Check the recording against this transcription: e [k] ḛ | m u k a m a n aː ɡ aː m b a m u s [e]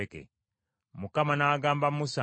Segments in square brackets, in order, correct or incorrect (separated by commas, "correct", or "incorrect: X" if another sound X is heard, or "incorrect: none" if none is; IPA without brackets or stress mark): correct, incorrect: a